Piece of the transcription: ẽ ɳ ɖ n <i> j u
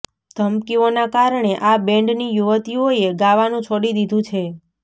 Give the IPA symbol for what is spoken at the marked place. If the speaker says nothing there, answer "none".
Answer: i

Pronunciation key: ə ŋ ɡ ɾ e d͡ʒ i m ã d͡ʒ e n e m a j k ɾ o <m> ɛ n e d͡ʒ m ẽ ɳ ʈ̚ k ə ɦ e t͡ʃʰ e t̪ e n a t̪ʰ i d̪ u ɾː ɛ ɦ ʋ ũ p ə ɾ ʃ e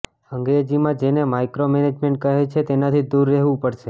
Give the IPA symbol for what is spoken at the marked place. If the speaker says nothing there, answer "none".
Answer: m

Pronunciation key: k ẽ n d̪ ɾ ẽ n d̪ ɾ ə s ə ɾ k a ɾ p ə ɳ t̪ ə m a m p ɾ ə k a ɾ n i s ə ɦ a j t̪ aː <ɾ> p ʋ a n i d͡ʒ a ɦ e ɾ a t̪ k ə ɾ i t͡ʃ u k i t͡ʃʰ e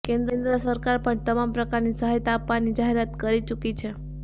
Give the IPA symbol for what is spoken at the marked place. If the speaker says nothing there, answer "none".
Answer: none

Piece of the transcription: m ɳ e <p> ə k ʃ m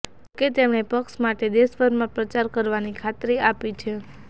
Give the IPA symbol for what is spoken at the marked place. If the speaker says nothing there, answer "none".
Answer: p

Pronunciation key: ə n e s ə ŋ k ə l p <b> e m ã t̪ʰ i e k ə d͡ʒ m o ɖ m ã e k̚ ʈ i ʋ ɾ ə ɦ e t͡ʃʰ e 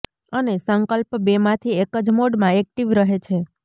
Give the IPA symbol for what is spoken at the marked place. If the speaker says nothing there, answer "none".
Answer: b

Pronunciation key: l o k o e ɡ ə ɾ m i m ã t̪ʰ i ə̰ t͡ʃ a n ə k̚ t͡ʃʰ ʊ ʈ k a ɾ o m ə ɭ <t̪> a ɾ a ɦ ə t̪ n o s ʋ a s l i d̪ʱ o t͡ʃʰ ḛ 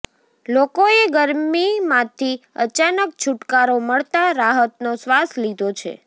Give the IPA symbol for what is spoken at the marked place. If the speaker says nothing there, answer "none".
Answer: t̪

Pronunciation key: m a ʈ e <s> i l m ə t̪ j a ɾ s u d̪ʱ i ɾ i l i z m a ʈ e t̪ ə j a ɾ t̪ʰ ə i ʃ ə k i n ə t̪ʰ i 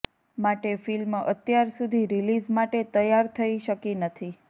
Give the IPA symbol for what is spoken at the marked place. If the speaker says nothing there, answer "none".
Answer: f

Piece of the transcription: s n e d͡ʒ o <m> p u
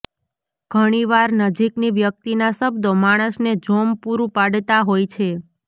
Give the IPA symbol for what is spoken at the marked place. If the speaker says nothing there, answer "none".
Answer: m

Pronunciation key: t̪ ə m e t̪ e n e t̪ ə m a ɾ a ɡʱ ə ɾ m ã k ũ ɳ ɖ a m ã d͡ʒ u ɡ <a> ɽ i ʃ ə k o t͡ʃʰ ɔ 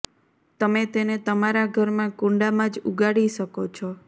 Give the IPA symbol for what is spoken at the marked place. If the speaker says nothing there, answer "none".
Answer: a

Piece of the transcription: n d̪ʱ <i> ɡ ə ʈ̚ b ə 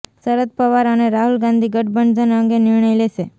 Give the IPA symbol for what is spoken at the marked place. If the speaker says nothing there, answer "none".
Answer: i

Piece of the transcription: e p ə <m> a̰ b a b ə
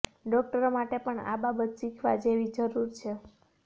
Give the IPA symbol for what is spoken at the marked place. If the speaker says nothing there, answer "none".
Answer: ɳ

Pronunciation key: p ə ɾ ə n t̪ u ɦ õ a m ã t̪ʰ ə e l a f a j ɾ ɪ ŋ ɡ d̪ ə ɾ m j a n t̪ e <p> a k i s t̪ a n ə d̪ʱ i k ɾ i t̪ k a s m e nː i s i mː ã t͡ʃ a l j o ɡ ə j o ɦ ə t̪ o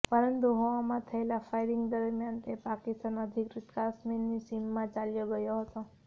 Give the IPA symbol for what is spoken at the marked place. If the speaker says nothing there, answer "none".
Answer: p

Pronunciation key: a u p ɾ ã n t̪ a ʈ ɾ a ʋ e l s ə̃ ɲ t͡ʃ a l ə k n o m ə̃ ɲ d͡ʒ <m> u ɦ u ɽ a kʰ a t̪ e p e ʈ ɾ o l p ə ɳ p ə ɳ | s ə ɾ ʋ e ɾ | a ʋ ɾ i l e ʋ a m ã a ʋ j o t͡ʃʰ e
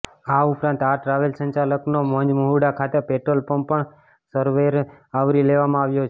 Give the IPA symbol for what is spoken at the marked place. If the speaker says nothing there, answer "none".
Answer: m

